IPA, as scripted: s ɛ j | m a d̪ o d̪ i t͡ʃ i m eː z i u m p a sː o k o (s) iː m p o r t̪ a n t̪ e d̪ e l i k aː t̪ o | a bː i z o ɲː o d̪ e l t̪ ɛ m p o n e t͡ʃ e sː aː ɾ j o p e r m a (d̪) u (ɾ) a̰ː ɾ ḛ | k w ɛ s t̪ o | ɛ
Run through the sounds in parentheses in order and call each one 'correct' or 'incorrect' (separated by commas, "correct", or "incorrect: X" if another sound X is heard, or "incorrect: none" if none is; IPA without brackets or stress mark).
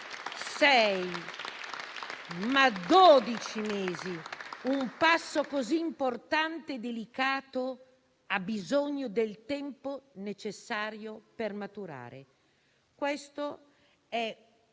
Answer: incorrect: z, incorrect: t̪, correct